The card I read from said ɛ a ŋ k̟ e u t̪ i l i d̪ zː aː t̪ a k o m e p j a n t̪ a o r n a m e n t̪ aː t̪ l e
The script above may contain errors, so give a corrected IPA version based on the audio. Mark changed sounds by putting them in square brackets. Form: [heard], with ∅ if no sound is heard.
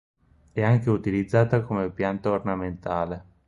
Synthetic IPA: ɛ a ŋ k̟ e u t̪ i l i d̪ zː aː t̪ a k o m e p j a n t̪ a o r n a m e n t̪ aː [∅] l e